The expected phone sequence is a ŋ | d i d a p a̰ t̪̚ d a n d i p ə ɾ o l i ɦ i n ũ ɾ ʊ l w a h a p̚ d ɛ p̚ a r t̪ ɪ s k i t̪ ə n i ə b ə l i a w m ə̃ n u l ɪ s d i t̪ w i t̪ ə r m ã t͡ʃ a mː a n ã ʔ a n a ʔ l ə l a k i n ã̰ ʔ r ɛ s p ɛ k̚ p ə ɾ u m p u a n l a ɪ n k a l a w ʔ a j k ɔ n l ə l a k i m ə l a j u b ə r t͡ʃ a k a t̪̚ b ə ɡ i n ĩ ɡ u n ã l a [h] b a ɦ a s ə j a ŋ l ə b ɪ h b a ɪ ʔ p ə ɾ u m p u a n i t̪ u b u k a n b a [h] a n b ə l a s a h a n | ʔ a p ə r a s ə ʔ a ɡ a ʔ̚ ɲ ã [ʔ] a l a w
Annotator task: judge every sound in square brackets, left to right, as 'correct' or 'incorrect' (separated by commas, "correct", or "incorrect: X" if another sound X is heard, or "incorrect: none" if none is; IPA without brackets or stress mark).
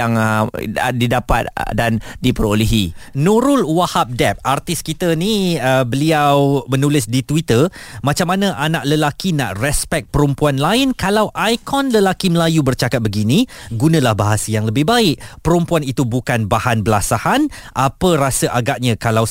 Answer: correct, correct, incorrect: k